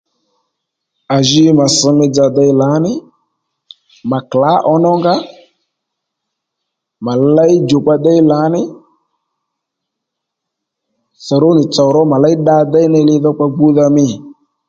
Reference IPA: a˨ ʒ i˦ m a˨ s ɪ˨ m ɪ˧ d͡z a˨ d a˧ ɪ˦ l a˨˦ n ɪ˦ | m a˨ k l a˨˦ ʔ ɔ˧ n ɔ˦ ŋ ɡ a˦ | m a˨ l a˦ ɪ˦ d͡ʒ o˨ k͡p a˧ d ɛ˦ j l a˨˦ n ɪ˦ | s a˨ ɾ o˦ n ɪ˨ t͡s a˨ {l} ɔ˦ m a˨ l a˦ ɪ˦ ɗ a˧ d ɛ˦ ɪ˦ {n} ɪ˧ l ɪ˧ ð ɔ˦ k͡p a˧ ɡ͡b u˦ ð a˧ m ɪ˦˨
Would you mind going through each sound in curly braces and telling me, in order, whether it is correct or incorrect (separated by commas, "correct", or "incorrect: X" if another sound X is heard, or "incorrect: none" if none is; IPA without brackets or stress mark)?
incorrect: ɾ, correct